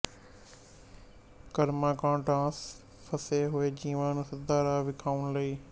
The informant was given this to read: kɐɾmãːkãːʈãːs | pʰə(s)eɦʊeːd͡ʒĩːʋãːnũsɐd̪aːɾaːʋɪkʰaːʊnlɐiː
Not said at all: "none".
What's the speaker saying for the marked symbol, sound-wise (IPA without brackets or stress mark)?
s